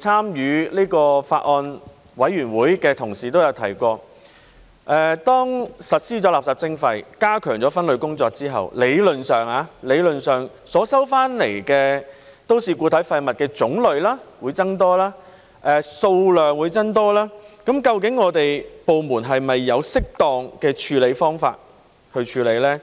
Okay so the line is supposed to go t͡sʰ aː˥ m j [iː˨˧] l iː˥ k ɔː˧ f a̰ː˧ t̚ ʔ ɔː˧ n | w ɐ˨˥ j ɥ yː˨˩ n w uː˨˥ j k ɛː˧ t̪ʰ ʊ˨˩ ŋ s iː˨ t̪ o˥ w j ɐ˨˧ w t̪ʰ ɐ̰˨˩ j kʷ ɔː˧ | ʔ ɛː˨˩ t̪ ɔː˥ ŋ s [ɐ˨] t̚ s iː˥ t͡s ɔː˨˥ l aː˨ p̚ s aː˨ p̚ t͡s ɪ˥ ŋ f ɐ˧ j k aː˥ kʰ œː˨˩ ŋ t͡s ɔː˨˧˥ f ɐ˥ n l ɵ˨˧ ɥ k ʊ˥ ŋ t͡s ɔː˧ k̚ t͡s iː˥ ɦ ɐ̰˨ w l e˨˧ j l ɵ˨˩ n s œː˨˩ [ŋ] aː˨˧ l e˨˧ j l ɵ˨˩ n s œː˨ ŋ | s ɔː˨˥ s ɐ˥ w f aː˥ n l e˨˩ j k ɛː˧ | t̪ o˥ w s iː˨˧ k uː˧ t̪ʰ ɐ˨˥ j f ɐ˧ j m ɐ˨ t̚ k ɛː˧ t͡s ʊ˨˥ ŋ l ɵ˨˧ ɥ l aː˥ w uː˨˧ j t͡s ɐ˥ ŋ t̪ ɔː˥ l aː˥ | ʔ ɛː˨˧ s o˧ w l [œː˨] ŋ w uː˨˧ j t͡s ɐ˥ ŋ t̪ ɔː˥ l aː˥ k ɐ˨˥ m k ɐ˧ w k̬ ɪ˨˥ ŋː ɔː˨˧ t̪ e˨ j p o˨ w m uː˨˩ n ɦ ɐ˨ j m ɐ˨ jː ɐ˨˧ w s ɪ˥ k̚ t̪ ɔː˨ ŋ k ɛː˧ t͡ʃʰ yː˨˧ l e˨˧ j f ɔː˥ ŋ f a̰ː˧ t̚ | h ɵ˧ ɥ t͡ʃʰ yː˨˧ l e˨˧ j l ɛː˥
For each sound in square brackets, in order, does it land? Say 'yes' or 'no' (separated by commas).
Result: no, yes, yes, yes